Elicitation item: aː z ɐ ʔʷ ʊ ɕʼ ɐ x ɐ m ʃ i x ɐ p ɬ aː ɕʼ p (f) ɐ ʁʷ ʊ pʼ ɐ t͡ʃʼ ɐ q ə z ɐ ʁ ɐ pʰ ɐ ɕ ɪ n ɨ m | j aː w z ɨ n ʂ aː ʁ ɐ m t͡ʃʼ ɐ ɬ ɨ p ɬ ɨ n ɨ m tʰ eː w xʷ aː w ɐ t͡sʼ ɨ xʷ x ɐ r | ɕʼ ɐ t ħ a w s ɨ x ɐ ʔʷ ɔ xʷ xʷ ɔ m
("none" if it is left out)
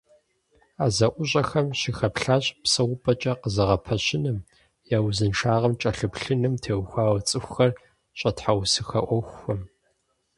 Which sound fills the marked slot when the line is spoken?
s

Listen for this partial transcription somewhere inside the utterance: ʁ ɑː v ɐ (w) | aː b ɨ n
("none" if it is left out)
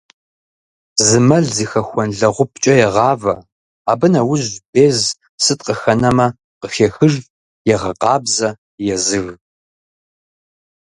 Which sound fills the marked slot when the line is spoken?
none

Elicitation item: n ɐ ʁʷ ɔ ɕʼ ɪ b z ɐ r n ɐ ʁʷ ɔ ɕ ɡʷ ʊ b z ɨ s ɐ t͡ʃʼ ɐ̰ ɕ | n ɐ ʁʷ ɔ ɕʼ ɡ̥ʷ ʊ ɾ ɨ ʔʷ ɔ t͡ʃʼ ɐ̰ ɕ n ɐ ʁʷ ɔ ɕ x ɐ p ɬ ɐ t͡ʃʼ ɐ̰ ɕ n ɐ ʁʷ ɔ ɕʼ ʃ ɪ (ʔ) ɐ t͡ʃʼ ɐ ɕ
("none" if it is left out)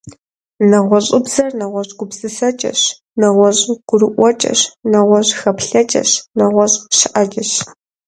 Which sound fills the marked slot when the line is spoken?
ʔ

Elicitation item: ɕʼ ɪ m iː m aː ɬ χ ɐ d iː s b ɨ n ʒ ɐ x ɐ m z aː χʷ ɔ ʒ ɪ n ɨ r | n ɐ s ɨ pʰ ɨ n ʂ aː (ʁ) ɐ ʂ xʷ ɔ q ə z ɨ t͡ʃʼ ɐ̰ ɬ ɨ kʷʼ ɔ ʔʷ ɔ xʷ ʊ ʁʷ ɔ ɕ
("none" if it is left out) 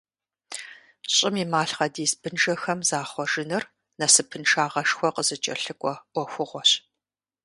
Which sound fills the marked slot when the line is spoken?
ʁ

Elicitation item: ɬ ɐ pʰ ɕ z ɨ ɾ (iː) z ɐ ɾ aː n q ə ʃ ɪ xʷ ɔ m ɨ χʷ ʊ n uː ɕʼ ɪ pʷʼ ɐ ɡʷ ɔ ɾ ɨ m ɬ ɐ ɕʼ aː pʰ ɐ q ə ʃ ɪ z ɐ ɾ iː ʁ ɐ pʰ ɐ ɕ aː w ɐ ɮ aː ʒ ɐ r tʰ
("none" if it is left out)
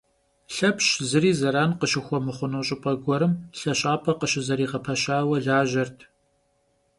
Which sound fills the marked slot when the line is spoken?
iː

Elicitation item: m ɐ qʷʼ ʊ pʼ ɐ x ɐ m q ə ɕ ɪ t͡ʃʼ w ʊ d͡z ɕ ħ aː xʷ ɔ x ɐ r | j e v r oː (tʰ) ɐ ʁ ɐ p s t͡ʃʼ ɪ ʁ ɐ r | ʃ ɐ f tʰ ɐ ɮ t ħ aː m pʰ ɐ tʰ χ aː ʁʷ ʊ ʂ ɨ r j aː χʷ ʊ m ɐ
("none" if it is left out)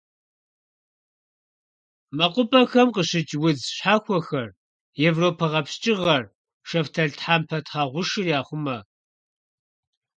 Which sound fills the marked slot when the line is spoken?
pʰ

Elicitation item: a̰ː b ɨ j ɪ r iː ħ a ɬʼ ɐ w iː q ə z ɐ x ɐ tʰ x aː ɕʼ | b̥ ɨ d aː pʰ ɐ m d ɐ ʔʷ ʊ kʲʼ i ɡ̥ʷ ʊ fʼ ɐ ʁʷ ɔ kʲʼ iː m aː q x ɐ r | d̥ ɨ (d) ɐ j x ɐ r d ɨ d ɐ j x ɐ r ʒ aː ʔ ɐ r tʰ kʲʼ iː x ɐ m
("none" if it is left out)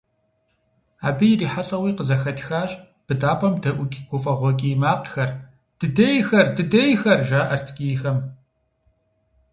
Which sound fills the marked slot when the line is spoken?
d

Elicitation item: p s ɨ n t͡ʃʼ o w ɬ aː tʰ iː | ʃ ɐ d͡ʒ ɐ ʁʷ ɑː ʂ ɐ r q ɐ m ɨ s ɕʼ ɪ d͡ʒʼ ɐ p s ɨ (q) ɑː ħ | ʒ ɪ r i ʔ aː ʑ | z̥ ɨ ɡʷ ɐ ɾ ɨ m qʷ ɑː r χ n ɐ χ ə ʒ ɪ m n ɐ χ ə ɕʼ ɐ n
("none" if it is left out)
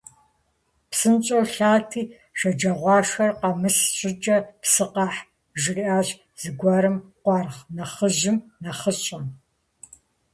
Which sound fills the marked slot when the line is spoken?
q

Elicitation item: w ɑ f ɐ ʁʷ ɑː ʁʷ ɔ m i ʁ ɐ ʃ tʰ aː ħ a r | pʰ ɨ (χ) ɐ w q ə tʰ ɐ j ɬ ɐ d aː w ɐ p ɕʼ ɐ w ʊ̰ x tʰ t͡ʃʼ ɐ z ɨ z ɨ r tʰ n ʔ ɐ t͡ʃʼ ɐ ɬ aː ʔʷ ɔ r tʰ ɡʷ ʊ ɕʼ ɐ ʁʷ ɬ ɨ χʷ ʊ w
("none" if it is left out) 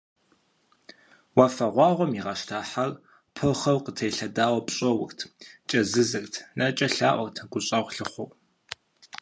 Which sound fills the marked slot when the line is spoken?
χ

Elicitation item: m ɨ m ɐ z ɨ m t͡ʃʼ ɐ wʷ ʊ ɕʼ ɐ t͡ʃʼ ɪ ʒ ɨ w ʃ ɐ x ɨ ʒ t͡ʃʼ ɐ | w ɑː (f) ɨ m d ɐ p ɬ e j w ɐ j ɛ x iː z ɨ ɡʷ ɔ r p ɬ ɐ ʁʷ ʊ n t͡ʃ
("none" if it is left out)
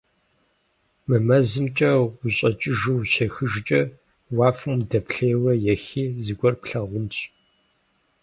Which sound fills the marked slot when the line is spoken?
f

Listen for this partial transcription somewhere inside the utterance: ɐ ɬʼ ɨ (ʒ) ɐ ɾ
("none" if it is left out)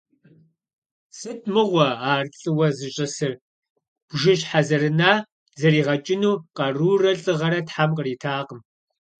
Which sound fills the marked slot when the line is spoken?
ʁ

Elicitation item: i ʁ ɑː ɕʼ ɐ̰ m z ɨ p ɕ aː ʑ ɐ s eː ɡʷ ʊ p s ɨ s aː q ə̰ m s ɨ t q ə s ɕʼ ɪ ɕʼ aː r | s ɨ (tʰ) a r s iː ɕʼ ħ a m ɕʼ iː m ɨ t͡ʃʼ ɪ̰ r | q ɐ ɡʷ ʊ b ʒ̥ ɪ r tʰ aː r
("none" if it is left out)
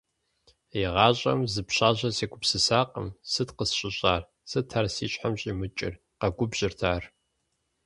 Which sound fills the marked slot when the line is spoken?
tʰ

